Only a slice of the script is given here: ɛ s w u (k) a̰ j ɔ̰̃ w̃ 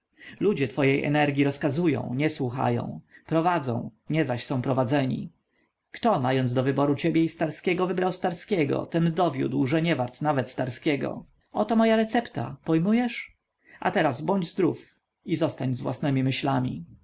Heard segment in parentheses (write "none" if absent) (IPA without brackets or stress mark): x